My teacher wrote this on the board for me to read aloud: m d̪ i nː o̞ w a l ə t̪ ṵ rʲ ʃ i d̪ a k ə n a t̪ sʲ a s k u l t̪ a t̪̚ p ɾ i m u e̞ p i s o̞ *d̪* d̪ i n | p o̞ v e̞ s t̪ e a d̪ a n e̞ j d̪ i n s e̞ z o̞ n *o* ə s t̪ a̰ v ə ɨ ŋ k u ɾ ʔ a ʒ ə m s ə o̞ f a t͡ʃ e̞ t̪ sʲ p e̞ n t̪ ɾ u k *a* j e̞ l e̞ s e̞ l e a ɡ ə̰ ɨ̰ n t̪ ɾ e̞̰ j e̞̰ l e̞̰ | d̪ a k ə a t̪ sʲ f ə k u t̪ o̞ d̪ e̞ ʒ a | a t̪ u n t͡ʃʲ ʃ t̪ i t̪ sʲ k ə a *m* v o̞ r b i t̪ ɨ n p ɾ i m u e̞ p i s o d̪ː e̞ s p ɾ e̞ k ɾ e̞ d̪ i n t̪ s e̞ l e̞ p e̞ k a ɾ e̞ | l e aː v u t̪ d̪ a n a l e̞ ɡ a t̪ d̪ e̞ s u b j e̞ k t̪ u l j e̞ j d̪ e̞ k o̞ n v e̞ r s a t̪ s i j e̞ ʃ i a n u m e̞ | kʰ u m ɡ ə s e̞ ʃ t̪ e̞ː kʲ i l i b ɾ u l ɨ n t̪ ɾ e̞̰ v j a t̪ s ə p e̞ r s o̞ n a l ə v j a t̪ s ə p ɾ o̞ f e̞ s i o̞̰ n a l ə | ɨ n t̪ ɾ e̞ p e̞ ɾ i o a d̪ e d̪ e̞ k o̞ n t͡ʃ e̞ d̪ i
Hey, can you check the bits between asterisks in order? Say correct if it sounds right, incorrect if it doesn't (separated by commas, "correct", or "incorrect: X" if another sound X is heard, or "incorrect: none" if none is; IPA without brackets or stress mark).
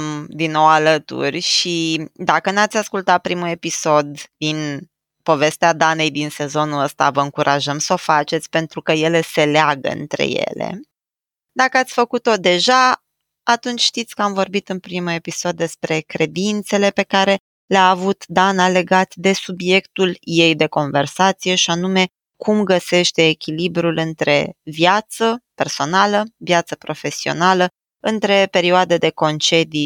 correct, incorrect: u, incorrect: ə, correct